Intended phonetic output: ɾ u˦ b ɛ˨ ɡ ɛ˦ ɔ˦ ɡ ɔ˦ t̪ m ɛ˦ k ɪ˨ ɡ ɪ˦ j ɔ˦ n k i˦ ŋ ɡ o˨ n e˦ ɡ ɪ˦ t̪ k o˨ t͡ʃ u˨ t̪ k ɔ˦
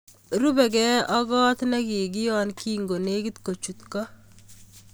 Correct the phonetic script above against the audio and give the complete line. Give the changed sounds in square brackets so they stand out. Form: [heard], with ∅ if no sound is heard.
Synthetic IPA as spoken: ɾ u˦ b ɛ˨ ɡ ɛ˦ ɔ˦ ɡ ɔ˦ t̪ [n] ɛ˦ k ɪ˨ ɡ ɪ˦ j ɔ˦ n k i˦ ŋ ɡ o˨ n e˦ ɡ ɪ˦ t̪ k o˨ t͡ʃ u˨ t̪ k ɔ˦